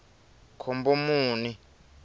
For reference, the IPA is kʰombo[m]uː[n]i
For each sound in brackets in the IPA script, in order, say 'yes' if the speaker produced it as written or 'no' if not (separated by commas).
yes, yes